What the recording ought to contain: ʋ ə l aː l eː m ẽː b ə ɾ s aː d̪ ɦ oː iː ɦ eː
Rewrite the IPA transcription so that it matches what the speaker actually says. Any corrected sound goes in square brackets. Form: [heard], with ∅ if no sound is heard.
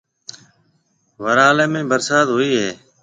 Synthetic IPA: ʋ ə [ɾ] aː l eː m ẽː b ə ɾ s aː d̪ ɦ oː iː ɦ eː